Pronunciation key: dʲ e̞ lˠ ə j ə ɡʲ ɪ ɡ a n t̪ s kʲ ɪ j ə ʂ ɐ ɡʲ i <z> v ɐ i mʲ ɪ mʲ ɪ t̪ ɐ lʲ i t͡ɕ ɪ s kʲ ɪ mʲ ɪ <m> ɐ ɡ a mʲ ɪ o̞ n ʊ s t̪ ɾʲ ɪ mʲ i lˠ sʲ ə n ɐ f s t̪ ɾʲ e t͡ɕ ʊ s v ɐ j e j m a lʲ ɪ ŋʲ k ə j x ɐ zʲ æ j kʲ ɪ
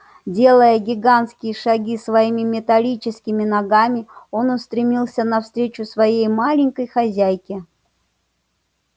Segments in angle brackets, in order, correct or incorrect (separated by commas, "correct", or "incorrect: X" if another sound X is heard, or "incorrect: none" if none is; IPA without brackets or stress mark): incorrect: s, incorrect: n